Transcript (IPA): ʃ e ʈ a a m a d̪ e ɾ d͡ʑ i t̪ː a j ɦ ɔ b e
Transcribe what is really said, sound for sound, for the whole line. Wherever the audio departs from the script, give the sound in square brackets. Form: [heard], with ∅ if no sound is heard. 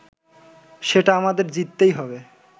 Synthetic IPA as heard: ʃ e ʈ a a m a d̪ e ɾ d͡ʑ i t̪ː [e] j ɦ ɔ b e